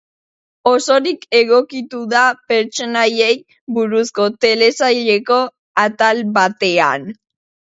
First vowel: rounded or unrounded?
rounded